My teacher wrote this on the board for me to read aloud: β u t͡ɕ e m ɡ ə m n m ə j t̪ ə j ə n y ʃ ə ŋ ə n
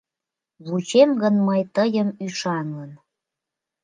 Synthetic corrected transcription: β u t͡ɕ e m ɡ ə n m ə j t̪ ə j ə m y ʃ ɑ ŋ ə n